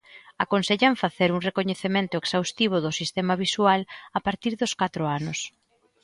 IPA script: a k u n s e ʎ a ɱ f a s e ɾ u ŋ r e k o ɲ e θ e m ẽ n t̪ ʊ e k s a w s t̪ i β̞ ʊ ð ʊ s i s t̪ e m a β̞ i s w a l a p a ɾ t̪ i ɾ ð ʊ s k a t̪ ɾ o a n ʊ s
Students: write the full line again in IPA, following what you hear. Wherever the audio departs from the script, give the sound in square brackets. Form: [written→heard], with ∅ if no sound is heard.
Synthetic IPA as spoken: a k [u→o] n s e ʎ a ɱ f a [s→θ] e ɾ u ŋ r e k o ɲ e θ e m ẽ n t̪ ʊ e k s a w s t̪ i β̞ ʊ ð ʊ s i s t̪ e m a β̞ i s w a l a p a ɾ t̪ i ɾ ð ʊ s k a t̪ ɾ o a n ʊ s